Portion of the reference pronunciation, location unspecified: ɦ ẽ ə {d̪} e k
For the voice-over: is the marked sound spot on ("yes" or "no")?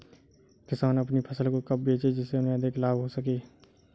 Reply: yes